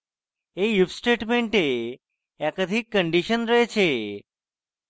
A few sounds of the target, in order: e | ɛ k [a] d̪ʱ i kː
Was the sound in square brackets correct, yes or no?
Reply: no